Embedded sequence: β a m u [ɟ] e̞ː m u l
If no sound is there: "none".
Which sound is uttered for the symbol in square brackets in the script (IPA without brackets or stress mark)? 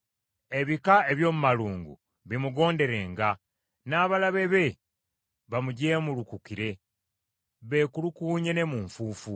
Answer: ɟ